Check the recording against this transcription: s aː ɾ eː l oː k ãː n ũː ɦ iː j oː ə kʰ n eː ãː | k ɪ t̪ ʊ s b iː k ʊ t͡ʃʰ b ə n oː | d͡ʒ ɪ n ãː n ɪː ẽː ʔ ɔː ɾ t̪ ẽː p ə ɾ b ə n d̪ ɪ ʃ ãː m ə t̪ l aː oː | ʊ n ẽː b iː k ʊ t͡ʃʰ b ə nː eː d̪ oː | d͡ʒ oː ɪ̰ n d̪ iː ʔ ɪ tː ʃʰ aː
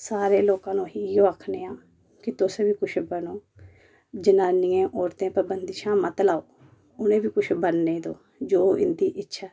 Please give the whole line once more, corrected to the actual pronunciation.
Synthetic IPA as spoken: s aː ɾ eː l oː k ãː n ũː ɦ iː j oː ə kʰ n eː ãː | k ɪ t̪ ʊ s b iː k ʊ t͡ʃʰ b ə n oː | d͡ʒ ɪ n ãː n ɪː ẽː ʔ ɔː ɾ t̪ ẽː p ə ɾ b ə n d̪ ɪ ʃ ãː m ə t̪ l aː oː | ʊ n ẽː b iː k ʊ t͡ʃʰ b ə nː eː d̪ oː | d͡ʒ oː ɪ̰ n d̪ iː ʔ ɪ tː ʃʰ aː

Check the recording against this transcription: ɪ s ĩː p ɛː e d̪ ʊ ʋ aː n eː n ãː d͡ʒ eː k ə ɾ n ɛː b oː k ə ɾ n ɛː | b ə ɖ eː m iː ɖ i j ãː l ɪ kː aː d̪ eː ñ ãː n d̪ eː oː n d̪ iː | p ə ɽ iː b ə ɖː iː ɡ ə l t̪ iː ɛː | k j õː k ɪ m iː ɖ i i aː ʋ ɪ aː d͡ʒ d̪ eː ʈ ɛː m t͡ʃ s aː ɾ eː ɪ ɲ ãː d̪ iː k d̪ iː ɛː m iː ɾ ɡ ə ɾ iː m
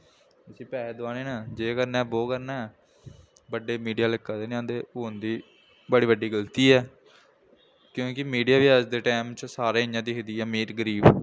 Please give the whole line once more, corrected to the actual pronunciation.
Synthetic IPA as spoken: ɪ s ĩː p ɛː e d̪ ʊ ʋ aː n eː n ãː d͡ʒ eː k ə ɾ n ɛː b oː k ə ɾ n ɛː | b ə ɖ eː m iː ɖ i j aː l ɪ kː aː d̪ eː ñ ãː n d̪ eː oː n d̪ iː | b ə ɽ iː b ə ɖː iː ɡ ə l t̪ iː ɛː | k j õː k ɪ m iː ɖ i j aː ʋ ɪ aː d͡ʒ d̪ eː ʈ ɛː m t͡ʃ s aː ɾ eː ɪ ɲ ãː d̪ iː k d̪ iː ɛː m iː ɾ ɡ ə ɾ iː b

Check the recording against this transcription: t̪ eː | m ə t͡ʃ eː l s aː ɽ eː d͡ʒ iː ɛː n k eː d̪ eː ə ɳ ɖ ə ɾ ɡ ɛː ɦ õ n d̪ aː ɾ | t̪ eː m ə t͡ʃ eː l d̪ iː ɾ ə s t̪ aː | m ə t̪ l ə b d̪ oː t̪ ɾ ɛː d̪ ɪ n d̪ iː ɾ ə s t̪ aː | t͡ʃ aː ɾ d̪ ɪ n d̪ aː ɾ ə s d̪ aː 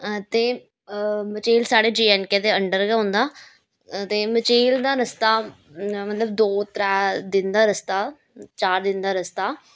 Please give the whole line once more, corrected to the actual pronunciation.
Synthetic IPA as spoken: t̪ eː | m ə t͡ʃ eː l s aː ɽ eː d͡ʒ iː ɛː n k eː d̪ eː ə ɳ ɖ ə ɾ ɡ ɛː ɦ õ n d̪ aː | t̪ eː m ə t͡ʃ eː l d̪ aː ɾ ə s t̪ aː | m ə t̪ l ə b d̪ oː t̪ ɾ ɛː d̪ ɪ n d̪ aː ɾ ə s t̪ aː | t͡ʃ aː ɾ d̪ ɪ n d̪ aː ɾ ə s t̪ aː

